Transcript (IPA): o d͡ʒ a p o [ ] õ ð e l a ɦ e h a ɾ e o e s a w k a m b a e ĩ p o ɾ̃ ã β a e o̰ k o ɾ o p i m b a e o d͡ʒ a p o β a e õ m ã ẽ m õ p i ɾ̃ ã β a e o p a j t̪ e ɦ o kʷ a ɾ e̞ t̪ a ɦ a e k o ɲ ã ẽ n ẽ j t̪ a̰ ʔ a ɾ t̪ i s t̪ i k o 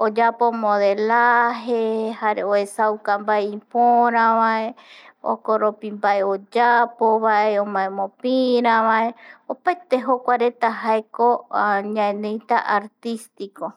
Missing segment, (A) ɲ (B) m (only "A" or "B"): B